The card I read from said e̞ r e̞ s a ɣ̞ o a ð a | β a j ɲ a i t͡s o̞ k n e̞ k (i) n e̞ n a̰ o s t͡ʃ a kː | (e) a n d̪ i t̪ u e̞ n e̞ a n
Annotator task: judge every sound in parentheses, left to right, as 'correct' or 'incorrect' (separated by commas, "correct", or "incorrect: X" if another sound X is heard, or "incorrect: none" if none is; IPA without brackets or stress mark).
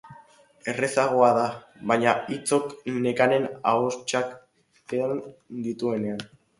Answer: incorrect: a, correct